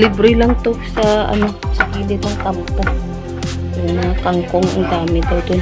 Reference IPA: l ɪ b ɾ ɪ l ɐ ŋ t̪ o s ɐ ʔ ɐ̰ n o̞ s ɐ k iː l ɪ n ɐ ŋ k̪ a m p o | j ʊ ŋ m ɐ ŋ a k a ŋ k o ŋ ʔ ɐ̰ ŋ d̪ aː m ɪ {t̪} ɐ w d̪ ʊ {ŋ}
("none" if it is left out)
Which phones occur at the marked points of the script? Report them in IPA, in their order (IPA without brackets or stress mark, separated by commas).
d̪, n